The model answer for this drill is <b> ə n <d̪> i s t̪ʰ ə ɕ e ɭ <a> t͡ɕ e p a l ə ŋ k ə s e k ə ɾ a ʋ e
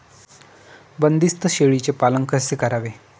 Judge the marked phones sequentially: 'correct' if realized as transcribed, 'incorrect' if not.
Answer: correct, correct, incorrect

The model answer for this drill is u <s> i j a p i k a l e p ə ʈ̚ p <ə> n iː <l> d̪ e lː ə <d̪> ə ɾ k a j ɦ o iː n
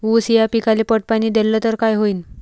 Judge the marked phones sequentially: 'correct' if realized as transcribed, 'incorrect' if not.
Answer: correct, incorrect, incorrect, incorrect

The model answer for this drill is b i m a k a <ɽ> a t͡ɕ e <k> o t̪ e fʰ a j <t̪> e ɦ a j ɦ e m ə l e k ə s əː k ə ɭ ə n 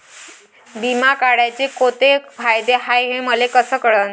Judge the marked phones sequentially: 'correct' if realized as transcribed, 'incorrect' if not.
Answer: correct, correct, incorrect

